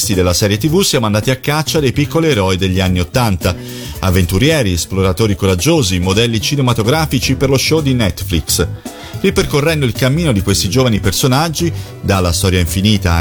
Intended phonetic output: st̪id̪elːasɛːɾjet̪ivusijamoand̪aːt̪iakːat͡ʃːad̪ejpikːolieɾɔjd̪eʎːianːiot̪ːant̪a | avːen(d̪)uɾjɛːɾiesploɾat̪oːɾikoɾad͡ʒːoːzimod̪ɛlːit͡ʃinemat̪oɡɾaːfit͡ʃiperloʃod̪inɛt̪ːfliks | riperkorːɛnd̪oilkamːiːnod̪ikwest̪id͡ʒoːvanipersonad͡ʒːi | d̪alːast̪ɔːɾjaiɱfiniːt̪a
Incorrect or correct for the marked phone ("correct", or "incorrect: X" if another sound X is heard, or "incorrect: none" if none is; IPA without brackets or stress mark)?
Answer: incorrect: t̪